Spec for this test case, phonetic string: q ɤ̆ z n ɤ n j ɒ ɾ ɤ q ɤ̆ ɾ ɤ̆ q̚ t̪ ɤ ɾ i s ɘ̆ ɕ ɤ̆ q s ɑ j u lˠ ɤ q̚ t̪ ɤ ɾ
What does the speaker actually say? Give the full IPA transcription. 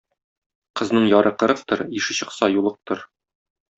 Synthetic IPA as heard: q ɤ̆ z n ɤ ɴ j ɒ ɾ ɤ q ɤ̆ ɾ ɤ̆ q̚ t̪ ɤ ɾ i ʃ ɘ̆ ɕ ɤ̆ q s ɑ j u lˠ ɤ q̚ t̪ ɤ ɾ